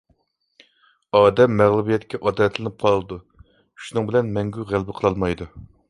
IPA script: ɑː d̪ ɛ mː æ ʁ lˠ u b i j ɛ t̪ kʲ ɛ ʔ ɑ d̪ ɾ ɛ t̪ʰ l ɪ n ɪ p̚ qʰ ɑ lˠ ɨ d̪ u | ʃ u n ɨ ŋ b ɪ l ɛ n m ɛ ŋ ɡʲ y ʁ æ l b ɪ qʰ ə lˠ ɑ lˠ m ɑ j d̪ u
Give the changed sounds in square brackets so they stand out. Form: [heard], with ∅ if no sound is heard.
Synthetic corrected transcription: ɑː d̪ ɛ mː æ ʁ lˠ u b i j ɛ t̪ kʲ ɛ ʔ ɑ d̪ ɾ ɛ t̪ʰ l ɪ n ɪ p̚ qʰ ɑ lˠ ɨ d̪ u | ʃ u n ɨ ŋ b ɪ l ɛ n m ɛ ŋ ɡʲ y ʁ æ l b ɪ qʰ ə lˠ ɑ lˠ m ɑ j d̪ u